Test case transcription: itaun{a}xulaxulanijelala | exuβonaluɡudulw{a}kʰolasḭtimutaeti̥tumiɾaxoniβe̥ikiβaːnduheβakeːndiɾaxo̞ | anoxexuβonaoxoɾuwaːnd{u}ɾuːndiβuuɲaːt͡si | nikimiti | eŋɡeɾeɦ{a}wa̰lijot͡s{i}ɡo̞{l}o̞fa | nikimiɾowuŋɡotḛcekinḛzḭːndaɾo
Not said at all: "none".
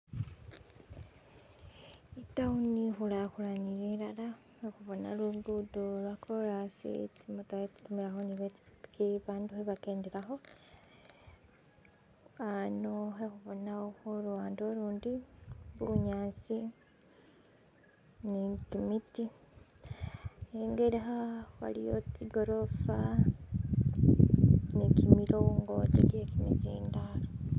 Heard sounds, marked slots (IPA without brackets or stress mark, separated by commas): i, a, o, a, i, ɾ